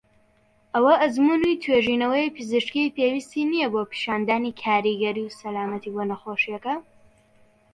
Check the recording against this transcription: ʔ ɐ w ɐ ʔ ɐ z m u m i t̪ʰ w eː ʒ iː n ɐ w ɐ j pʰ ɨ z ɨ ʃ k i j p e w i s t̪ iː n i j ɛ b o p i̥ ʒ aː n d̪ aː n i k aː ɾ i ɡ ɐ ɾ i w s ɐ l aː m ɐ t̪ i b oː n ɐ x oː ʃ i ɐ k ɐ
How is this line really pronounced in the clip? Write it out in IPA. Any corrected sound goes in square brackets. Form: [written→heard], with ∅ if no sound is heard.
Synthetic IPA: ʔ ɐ w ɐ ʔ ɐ z m u [m→n] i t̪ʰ w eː ʒ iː n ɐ w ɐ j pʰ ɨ z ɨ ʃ k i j p e w i s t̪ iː n i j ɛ b o p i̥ [ʒ→ʃ] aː n d̪ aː n i [k→kʰ] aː ɾ i ɡ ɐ ɾ i w s ɐ l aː m ɐ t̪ i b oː n ɐ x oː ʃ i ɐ k ɐ